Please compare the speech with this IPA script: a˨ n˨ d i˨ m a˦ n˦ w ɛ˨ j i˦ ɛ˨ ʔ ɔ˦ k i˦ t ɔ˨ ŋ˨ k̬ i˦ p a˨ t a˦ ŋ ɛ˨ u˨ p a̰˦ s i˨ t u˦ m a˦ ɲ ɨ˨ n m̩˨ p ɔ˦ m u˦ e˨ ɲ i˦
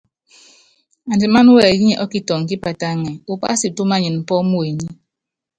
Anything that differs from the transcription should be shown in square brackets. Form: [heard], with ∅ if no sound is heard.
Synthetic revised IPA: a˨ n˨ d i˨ m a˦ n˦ w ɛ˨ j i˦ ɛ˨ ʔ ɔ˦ k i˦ t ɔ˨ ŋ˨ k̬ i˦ p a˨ t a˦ ŋ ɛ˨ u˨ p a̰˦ s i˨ t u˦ m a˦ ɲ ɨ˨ n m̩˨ p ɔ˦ m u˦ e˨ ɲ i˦